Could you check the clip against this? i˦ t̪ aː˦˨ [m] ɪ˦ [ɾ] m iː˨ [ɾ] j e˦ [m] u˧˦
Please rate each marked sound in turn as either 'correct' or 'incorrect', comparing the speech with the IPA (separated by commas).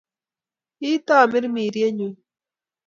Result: correct, correct, correct, incorrect